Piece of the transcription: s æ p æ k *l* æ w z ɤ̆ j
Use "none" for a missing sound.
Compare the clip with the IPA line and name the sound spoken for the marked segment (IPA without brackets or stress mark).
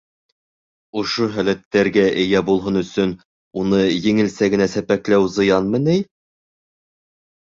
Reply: l